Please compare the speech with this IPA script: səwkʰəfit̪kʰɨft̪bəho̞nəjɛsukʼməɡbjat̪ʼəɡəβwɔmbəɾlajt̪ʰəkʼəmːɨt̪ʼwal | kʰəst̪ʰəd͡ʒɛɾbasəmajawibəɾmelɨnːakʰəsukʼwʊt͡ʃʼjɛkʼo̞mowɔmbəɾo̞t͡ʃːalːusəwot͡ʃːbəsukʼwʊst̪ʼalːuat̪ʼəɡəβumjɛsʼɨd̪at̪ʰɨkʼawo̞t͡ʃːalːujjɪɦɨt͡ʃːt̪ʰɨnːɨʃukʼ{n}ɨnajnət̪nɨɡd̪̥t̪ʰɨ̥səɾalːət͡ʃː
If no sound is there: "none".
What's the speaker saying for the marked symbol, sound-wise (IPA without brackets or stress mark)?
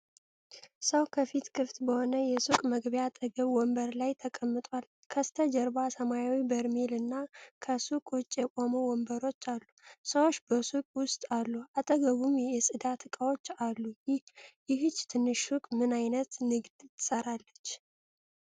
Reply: m